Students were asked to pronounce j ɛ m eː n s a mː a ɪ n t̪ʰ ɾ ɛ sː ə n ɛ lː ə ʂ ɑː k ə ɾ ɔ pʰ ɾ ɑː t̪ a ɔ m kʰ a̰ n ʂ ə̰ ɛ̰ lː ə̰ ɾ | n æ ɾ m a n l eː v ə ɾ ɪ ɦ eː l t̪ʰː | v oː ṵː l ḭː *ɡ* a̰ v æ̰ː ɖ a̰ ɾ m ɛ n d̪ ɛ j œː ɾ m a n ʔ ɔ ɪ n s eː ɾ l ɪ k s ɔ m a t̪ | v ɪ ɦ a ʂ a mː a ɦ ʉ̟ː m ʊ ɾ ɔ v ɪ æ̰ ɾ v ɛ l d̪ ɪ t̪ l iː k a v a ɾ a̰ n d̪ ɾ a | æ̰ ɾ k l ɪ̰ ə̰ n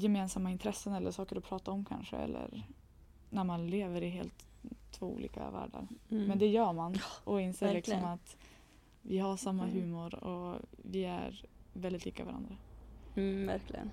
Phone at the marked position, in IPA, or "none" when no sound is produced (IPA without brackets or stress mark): k